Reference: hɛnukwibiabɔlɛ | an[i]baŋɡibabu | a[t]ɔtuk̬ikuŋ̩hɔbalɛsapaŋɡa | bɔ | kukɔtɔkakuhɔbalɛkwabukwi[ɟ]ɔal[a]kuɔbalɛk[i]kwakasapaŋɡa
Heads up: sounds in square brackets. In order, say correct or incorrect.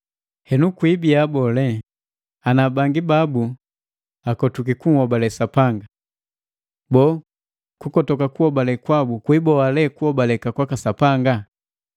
incorrect, incorrect, incorrect, incorrect, incorrect

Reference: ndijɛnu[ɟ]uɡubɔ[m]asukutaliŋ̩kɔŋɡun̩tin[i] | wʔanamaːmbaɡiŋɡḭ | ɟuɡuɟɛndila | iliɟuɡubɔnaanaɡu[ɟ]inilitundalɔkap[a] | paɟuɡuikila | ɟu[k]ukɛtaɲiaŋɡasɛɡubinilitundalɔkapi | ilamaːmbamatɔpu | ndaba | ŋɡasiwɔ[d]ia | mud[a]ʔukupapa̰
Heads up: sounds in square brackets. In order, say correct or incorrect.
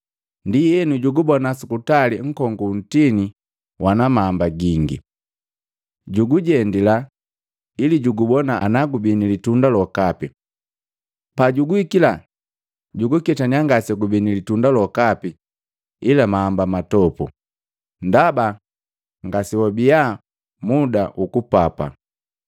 correct, incorrect, correct, incorrect, incorrect, incorrect, incorrect, correct

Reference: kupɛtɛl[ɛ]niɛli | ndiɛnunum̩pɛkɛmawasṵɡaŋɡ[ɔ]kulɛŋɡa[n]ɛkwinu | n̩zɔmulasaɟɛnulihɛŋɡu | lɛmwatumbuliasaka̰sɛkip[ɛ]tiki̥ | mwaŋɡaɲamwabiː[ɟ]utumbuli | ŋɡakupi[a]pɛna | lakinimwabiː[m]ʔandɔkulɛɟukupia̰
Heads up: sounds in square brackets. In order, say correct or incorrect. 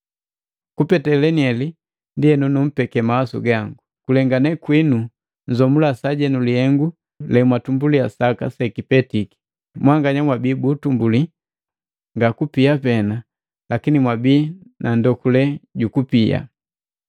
correct, incorrect, correct, correct, incorrect, correct, incorrect

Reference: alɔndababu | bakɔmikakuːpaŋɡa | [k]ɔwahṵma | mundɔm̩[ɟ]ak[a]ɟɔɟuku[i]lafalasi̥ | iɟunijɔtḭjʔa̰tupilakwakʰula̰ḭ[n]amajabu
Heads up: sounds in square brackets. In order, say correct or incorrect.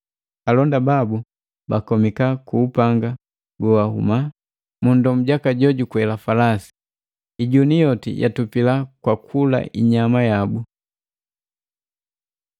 incorrect, correct, correct, incorrect, incorrect

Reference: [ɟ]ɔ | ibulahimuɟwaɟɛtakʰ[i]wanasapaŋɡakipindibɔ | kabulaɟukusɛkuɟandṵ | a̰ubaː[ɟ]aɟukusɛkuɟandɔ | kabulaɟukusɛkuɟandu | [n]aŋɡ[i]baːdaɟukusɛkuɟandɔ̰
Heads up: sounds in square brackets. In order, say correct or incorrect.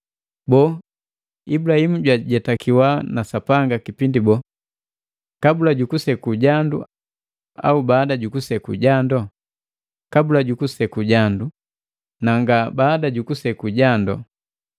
incorrect, correct, incorrect, correct, incorrect

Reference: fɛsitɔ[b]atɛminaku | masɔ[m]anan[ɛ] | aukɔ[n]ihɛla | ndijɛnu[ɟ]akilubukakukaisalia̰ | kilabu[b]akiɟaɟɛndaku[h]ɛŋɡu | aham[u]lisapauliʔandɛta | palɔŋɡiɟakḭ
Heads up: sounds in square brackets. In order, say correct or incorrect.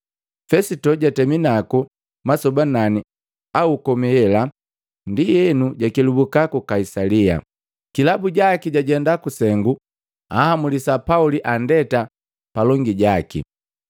incorrect, incorrect, incorrect, incorrect, correct, incorrect, incorrect, correct

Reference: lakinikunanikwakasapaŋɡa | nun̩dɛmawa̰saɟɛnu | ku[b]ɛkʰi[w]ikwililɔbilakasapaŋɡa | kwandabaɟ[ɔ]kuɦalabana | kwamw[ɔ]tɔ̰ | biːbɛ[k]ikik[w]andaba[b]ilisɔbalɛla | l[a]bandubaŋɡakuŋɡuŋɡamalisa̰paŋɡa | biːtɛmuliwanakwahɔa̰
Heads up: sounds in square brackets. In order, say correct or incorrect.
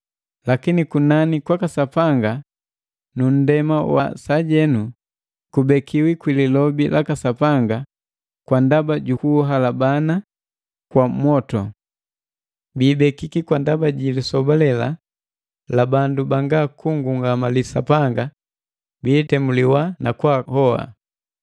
correct, correct, incorrect, correct, correct, correct, incorrect, correct

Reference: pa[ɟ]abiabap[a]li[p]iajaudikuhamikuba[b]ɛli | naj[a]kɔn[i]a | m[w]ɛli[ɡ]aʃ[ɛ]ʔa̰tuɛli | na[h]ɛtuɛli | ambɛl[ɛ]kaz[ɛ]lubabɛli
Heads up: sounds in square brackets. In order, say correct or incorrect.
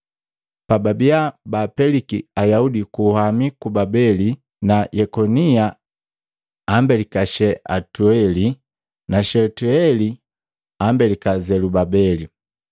incorrect, incorrect, incorrect, correct, incorrect, correct, incorrect, incorrect, correct, incorrect, incorrect, correct

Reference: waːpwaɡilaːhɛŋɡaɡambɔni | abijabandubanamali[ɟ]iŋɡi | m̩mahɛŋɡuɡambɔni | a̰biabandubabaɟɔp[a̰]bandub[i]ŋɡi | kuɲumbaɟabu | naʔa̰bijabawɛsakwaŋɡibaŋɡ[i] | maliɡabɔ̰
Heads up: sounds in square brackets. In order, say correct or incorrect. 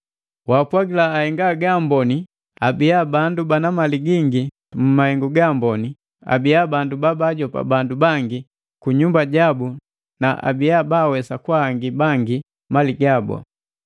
incorrect, correct, incorrect, correct

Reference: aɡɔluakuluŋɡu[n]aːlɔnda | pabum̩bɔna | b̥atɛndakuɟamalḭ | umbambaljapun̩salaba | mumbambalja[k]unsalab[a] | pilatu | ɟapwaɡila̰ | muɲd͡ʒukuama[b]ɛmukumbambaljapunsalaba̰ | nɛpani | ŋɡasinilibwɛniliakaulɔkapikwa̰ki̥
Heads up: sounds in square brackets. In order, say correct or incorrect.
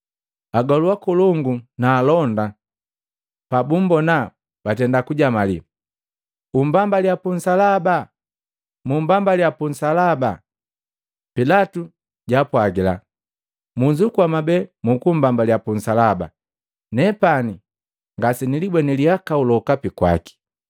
correct, incorrect, correct, correct

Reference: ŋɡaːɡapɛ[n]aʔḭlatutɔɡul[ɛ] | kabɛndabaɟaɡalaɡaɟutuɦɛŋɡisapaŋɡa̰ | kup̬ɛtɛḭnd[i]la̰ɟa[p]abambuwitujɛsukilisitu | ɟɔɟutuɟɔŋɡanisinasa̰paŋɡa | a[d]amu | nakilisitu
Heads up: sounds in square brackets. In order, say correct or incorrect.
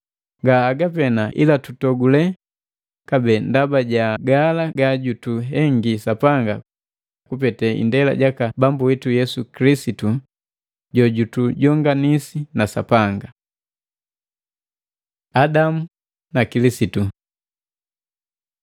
correct, correct, incorrect, incorrect, correct

